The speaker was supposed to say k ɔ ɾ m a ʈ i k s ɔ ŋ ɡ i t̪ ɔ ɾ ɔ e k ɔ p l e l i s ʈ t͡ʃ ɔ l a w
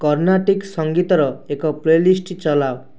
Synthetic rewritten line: k ɔ ɾ n a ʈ i k s ɔ ŋ ɡ i t̪ ɔ ɾ ɔ e k ɔ p l e l i s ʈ t͡ʃ ɔ l a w